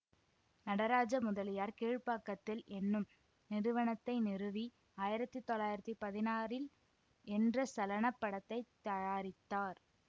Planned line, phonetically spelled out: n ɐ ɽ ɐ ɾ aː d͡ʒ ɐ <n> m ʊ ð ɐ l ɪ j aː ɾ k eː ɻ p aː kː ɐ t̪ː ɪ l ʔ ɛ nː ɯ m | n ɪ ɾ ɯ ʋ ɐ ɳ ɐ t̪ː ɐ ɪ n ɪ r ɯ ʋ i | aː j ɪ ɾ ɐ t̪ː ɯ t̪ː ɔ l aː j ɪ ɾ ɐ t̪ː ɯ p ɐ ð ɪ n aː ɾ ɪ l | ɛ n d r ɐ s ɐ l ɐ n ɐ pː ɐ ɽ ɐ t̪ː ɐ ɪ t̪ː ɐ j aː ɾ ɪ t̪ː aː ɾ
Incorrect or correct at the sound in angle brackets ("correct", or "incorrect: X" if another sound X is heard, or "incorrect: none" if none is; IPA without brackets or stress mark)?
incorrect: none